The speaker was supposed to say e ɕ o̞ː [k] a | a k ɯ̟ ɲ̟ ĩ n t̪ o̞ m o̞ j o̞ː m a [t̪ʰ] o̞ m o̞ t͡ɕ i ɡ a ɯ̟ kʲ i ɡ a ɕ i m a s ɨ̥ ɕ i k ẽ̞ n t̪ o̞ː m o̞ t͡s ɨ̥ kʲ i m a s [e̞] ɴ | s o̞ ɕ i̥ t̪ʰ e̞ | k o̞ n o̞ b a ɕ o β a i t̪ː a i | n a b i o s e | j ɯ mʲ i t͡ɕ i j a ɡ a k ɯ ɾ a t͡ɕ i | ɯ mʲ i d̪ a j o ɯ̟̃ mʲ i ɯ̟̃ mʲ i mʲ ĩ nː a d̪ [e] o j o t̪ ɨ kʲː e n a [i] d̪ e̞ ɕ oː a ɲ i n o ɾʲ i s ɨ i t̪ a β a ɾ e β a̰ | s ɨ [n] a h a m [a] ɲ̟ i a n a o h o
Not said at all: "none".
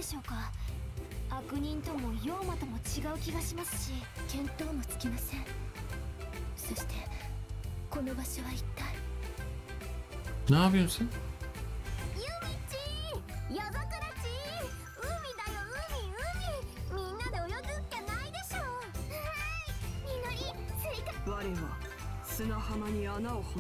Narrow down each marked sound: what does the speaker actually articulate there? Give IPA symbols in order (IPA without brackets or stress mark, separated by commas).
k, t̪, ẽ̞, e, i, n, a